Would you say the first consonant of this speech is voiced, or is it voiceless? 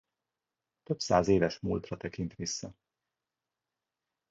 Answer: voiceless